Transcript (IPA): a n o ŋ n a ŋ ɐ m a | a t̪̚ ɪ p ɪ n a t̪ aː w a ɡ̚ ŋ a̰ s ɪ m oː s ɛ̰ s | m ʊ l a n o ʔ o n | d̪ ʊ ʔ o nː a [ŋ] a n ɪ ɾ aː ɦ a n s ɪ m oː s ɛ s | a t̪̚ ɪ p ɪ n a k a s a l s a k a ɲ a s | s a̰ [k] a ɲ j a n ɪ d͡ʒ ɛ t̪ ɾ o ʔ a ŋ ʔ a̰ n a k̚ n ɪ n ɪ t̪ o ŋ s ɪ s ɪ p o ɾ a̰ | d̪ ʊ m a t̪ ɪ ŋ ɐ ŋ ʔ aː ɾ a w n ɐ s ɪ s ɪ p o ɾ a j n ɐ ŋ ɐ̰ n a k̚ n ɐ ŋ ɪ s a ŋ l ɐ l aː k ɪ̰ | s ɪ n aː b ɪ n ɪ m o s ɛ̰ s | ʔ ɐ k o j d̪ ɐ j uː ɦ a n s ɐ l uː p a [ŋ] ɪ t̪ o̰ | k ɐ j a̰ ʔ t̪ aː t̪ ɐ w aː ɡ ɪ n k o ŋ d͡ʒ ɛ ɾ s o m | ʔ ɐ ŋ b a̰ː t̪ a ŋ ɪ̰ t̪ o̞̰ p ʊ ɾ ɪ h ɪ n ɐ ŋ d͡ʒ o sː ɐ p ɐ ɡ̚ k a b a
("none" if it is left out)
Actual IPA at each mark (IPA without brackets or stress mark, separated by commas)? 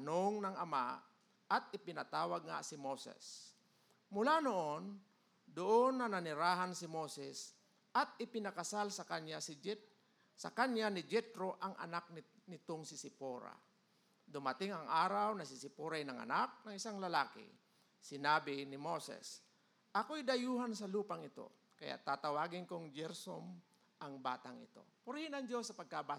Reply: n, k, ŋ